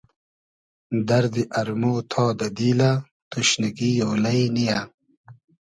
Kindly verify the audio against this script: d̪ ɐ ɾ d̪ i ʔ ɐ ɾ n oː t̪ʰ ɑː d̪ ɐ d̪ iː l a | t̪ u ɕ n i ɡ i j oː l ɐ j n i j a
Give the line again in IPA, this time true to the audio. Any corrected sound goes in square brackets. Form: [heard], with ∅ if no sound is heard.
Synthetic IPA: d̪ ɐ ɾ d̪ i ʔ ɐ ɾ [m] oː t̪ʰ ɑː d̪ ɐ d̪ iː l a | t̪ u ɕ n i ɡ i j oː l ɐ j n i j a